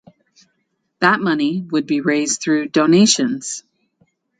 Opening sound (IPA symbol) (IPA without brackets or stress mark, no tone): ð